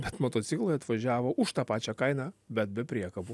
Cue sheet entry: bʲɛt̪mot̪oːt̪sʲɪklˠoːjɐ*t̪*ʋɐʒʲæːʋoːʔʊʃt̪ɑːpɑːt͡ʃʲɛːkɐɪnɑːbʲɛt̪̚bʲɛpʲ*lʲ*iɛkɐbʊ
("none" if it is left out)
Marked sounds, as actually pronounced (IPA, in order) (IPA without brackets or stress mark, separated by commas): t̪, ɾʲ